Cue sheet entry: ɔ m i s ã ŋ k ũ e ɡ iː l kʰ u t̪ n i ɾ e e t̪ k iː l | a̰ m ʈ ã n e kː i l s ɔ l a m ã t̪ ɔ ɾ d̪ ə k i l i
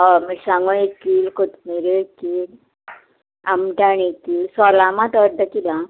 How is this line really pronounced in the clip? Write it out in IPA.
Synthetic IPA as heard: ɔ m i s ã ŋ ɡ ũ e k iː l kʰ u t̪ m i ɾ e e k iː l | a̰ m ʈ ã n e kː i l s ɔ l a m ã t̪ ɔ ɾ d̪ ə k i l a

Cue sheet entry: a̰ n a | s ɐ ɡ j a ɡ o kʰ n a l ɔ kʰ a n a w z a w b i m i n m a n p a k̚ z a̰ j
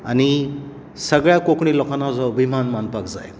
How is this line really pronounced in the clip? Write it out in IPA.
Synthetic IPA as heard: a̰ n i | s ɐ ɡ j a k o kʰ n i l ɔ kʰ a n a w z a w b i m a n m a n p a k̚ z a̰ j

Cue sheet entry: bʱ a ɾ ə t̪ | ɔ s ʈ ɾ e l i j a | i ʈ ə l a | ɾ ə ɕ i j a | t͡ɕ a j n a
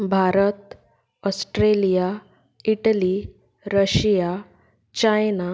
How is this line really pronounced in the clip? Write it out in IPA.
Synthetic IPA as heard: bʱ a ɾ ə t̪ | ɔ s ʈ ɾ e l i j a | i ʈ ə l i | ɾ ə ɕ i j a | t͡ɕ a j n a

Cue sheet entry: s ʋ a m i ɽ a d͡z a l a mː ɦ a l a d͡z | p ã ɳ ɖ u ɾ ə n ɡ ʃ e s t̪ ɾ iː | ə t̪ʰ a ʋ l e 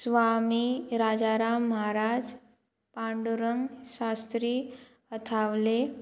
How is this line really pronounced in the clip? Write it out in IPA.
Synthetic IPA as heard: s ʋ a m i ɾ a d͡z a ɾ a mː ɦ a ɾ a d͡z | p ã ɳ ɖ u ɾ ə ŋ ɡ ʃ a s t̪ ɾ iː | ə t̪ʰ a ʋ l e

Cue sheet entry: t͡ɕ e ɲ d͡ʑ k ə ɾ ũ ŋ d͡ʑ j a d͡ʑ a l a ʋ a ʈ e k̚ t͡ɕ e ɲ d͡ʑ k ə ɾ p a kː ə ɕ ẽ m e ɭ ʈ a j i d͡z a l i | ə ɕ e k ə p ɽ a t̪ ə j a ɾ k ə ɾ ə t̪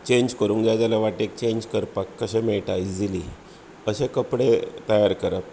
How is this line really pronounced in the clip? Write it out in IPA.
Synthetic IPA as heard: t͡ɕ e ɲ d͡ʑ k ə ɾ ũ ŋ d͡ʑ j a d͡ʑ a l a ʋ a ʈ e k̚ t͡ɕ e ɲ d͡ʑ k ə ɾ p a kː ə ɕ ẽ m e ɭ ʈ a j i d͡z i l i | ə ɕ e k ə p ɽ e t̪ ə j a ɾ k ə ɾ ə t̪

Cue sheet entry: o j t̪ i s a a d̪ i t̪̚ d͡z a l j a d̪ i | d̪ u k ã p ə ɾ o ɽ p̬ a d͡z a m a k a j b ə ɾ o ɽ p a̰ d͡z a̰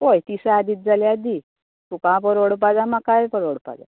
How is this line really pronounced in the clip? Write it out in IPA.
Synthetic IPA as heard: o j t̪ i s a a d̪ i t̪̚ d͡z a l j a d̪ i | t̪ u k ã p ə ɾ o ɽ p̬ a d͡z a m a k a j p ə ɾ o ɽ p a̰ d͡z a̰

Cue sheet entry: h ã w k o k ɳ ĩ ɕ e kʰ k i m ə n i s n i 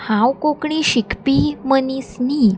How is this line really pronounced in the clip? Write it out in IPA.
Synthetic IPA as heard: h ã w k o k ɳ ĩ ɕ i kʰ p i m ə n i s n i

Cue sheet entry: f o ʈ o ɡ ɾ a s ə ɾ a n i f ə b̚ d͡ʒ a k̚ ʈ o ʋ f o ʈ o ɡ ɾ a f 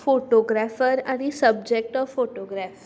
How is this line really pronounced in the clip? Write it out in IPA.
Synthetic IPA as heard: f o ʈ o ɡ ɾ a f ə ɾ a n i s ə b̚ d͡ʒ e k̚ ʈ ɔ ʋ f o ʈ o ɡ ɾ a f

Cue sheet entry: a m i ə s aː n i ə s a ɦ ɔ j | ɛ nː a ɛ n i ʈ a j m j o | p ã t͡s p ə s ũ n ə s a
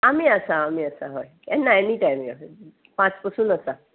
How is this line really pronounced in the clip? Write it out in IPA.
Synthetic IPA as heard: a m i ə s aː m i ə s a ɦ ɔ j | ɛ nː a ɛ n i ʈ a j m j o | p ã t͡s p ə s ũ n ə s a

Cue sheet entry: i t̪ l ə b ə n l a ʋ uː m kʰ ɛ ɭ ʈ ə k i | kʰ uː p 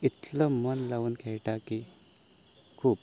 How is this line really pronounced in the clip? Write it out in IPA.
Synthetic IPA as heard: i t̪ l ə m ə n l a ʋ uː n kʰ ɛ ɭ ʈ a k i | kʰ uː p

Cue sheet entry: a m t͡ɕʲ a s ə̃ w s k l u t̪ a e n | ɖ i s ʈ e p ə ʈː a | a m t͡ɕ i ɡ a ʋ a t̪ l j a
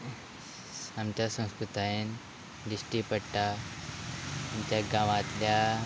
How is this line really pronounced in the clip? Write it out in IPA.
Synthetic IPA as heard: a m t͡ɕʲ a s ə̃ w s k ɾ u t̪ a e n | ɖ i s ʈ i p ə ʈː a | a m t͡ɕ a ɡ a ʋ a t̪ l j a

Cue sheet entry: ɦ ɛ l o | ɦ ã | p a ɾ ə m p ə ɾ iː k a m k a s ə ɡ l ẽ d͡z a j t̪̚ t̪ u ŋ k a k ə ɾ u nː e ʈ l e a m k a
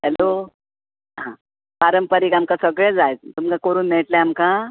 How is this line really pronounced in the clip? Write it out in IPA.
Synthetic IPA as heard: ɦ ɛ l o | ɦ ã | p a ɾ ə m p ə ɾ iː k a m k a s ə ɡ ɭ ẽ d͡z a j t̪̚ t̪ u m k a k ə ɾ uː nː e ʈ l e a m k a

